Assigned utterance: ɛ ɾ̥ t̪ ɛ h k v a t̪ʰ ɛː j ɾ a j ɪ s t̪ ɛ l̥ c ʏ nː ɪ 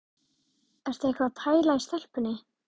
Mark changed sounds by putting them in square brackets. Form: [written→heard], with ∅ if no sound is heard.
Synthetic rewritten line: ɛ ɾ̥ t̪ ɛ h k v a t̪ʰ [ɛː→aː] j [ɾ→l] a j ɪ s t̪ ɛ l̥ [c→p] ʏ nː ɪ